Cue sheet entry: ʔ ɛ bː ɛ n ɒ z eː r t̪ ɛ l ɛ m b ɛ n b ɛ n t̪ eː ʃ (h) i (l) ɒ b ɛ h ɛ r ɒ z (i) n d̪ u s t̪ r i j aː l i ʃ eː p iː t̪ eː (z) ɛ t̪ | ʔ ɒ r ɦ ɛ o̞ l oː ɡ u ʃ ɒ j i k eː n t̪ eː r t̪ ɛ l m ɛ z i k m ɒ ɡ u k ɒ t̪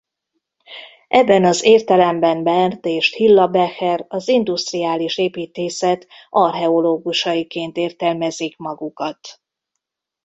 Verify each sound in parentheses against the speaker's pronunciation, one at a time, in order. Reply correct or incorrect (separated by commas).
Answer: correct, incorrect, correct, incorrect